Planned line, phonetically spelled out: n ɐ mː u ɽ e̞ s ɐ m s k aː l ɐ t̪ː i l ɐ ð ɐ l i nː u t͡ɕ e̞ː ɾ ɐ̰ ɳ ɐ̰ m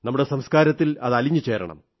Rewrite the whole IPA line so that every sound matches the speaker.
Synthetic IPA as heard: n ɐ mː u ɽ e̞ s ɐ m s k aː ɾ ɐ t̪ː i l ɐ ð ɐ l i ɲː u t͡ɕ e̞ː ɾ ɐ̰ ɳ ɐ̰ m